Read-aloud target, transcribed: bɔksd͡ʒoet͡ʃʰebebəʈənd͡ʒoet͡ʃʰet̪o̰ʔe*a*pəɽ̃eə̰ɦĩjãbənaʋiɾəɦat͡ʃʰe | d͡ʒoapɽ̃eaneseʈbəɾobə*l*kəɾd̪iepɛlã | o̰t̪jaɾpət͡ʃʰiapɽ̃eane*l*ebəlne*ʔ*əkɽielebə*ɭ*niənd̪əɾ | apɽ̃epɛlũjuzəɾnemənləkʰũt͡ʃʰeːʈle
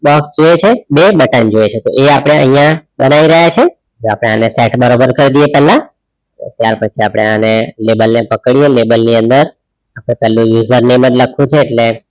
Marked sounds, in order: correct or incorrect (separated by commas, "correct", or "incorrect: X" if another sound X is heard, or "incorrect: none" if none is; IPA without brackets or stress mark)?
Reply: correct, incorrect: ɾ, correct, incorrect: p, incorrect: l